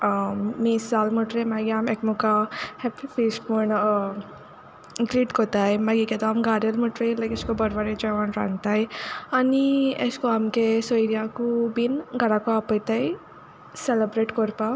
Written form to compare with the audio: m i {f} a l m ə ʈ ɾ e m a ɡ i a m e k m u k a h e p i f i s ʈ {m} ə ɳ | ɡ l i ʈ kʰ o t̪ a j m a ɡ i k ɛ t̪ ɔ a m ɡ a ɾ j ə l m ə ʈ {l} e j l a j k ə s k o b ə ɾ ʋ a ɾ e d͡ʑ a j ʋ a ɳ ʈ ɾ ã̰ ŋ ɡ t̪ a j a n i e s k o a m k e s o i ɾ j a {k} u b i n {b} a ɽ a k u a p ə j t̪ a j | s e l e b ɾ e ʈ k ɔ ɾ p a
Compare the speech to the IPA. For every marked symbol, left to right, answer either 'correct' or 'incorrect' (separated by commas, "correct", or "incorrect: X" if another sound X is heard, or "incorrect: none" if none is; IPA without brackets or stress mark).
incorrect: s, correct, incorrect: ɾ, correct, incorrect: ɡ